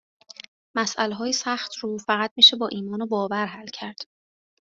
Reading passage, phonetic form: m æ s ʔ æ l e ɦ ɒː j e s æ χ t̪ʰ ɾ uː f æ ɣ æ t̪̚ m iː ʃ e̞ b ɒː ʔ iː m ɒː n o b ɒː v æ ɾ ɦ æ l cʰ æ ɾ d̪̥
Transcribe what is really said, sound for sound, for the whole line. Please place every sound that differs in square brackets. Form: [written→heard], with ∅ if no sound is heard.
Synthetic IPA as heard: m æ s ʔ æ l e ɦ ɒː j e s æ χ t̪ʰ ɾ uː f æ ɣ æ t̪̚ m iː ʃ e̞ b ɒː ʔ iː m ɒː n o b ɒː v æ ɾ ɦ æ l cʰ æ ɾ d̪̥